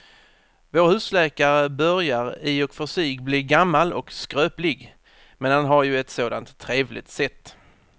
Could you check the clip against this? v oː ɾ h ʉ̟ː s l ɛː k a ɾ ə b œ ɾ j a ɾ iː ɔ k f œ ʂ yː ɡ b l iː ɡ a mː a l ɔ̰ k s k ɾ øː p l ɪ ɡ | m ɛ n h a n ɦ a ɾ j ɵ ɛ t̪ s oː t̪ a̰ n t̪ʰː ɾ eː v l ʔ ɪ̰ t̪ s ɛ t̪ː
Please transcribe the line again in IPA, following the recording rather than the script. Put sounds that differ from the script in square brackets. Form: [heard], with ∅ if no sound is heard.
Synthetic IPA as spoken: v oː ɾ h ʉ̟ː s l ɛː k a ɾ ə b œ ɾ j a ɾ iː ɔ k f œ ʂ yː ɡ b l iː ɡ a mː a l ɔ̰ k s k ɾ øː p l ɪ ɡ | m ɛ n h a n ɦ a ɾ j ɵ ɛ t̪ s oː [d̪] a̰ n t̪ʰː ɾ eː v l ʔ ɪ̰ t̪ s ɛ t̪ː